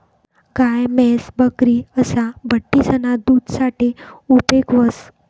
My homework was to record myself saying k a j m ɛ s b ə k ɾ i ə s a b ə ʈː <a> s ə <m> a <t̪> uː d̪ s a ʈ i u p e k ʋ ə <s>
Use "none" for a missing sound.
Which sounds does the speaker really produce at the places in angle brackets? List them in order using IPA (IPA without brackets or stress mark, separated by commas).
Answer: i, n, d̪, s